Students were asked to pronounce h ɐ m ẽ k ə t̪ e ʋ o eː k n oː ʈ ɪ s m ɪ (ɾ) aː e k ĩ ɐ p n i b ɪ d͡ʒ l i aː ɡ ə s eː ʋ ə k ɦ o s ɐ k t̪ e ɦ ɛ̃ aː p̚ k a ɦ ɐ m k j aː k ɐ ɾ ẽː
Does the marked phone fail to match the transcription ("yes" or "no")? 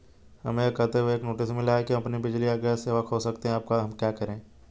yes